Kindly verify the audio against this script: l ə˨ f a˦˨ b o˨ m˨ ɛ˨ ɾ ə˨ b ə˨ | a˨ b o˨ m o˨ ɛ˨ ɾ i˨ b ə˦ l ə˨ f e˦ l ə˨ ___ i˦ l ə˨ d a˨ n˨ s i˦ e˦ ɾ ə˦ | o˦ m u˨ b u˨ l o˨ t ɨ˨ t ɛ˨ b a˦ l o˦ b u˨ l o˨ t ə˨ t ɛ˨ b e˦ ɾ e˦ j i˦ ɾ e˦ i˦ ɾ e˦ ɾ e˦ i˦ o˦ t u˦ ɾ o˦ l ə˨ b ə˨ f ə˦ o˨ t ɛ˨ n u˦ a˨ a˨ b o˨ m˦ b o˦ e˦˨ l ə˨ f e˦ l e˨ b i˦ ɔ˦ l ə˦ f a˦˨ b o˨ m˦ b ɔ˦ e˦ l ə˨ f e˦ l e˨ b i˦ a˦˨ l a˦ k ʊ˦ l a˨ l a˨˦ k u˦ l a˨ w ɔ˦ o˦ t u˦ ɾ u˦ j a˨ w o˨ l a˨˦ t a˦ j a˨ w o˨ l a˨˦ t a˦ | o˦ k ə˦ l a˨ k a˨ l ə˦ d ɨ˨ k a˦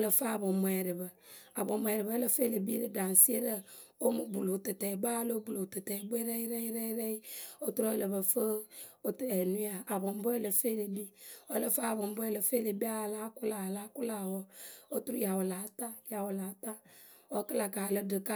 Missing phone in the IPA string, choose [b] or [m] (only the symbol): b